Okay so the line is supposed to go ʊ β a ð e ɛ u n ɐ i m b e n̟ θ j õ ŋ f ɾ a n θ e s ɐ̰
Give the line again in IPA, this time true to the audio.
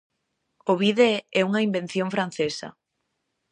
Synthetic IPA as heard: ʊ β i ð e ɛ u ŋ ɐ i m b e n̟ θ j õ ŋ f ɾ a n θ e s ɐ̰